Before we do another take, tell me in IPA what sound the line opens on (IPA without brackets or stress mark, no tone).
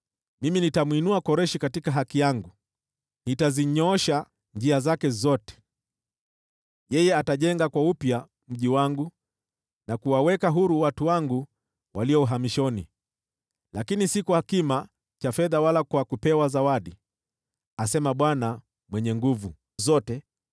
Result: m